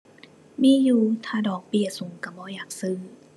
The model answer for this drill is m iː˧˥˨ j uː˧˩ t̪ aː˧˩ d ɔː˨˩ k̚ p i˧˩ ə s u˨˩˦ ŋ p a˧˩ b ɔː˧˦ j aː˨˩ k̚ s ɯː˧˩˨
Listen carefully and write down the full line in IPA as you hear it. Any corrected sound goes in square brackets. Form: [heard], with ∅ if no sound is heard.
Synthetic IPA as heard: m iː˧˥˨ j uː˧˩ [t̪ʰ] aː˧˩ d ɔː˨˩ k̚ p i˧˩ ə s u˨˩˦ ŋ [k] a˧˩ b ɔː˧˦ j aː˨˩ k̚ s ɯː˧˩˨